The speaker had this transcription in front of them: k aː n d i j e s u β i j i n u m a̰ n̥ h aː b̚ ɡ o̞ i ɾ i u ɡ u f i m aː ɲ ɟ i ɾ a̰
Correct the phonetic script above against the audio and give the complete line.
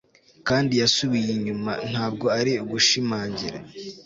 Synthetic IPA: k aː n d i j a s u β i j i ɲ u m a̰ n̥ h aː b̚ ɡ o̞ a ɾ i u ɡ u ʃ i m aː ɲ ɟ i ɾ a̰